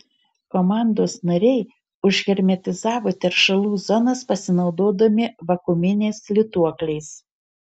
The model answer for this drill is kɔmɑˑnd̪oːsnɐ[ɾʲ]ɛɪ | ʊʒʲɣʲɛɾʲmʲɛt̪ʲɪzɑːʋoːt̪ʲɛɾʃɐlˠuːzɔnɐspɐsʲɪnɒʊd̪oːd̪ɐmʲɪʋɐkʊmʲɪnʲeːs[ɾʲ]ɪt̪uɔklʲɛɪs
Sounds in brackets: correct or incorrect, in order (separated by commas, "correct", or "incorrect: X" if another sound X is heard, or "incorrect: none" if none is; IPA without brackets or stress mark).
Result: correct, incorrect: lʲ